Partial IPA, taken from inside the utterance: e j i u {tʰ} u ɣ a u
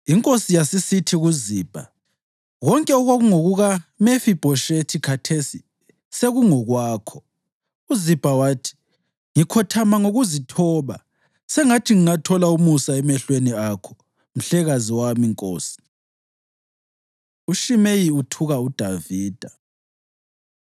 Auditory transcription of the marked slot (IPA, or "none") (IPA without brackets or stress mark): tʰ